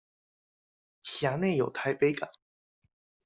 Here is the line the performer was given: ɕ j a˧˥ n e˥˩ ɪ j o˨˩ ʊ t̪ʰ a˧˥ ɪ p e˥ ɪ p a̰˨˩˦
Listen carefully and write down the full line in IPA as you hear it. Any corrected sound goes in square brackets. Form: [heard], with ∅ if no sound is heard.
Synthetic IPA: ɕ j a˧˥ n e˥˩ ɪ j o˨˩ ʊ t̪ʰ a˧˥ ɪ p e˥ ɪ [k] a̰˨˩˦

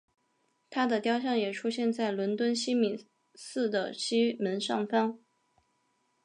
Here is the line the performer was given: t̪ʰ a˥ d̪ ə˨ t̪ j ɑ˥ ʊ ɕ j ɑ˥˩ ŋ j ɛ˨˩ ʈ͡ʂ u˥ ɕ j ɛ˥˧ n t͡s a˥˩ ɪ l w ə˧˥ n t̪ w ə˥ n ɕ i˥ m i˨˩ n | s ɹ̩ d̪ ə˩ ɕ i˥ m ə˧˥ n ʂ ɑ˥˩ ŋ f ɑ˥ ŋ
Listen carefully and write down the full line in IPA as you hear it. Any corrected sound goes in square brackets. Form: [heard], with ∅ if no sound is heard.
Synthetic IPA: t̪ʰ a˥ d̪ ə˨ t̪ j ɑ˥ ʊ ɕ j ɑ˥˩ ŋ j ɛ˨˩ [ʈ͡ʂʰ] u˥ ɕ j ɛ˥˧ n t͡s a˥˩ ɪ l w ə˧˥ n t̪ w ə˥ n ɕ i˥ m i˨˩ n | s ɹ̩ d̪ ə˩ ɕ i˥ m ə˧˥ n ʂ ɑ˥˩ ŋ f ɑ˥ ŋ

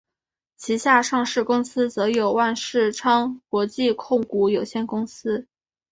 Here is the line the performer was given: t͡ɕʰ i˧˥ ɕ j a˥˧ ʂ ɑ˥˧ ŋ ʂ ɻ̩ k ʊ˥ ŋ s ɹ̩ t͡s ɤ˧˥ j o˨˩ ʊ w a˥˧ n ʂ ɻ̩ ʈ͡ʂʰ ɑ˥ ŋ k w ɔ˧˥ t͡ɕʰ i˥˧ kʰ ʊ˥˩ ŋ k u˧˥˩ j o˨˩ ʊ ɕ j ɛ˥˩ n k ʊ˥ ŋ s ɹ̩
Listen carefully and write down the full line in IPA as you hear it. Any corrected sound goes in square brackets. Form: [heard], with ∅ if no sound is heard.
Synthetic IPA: t͡ɕʰ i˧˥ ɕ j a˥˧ ʂ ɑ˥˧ ŋ ʂ ɻ̩ k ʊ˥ ŋ s ɹ̩ t͡s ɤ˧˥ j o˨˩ ʊ w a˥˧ n ʂ ɻ̩ ʈ͡ʂʰ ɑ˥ ŋ k w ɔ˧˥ [t͡ɕ] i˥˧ kʰ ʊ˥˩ ŋ k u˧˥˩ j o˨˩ ʊ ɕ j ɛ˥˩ n k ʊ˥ ŋ s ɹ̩

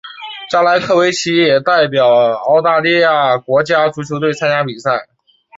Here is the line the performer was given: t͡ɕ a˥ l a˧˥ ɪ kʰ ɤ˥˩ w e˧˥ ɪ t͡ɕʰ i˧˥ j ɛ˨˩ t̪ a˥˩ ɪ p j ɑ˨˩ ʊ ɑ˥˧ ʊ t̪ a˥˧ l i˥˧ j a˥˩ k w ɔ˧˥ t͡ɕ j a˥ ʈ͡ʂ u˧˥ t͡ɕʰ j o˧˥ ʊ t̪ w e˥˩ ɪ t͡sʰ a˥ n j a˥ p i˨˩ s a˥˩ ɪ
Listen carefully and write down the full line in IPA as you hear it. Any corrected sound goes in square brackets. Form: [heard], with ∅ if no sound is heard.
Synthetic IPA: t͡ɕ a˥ l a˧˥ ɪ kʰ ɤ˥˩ w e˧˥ ɪ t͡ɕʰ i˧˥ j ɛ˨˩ t̪ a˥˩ ɪ p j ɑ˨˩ ʊ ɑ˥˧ ʊ t̪ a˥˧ l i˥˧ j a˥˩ k w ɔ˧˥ t͡ɕ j a˥ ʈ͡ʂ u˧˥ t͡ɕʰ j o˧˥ ʊ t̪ w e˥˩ ɪ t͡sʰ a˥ n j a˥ p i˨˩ s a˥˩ ɪ

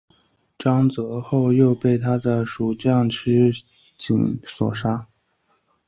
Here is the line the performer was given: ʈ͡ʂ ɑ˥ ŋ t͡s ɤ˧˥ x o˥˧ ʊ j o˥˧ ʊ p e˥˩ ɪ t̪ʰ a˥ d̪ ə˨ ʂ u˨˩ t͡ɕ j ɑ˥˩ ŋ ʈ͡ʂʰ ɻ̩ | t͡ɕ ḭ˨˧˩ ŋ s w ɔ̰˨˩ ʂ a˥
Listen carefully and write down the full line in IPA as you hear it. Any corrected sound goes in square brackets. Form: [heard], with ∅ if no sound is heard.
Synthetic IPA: ʈ͡ʂ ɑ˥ ŋ t͡s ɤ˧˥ x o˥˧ ʊ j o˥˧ ʊ p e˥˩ ɪ t̪ʰ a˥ d̪ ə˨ ʂ u˨˩ t͡ɕ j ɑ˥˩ ŋ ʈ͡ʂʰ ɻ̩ | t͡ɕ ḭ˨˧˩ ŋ s w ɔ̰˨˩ ʂ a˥

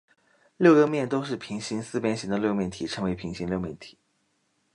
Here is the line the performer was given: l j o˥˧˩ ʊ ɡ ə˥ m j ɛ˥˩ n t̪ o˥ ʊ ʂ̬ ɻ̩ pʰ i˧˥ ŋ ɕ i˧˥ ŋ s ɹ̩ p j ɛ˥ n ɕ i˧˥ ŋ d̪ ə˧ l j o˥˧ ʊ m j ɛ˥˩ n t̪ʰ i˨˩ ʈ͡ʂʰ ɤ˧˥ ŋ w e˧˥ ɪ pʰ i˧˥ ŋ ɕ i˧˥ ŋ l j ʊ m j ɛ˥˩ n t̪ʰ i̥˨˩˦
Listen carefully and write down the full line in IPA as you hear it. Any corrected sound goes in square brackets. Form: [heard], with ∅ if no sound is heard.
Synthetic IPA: l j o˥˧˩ ʊ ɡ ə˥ m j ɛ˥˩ n t̪ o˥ ʊ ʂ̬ ɻ̩ pʰ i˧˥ ŋ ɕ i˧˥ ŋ s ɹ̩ p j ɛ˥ n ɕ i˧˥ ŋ d̪ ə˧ l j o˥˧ ʊ m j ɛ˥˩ n t̪ʰ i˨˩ ʈ͡ʂʰ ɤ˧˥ ŋ w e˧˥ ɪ pʰ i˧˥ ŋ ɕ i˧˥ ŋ l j ʊ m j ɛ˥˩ n t̪ʰ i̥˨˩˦

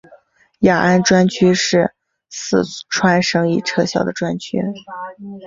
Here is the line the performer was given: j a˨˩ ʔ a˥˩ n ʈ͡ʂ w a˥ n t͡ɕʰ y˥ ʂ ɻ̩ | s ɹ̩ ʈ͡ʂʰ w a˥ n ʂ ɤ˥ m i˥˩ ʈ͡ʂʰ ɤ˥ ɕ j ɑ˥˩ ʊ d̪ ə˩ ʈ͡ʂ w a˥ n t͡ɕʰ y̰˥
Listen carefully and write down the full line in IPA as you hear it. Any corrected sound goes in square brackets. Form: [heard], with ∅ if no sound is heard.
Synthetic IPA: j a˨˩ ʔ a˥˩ n ʈ͡ʂ w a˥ n t͡ɕʰ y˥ ʂ ɻ̩ | s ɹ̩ ʈ͡ʂʰ w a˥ n ʂ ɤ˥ [ŋ] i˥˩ ʈ͡ʂʰ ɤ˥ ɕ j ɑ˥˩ ʊ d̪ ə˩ ʈ͡ʂ w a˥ n t͡ɕʰ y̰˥

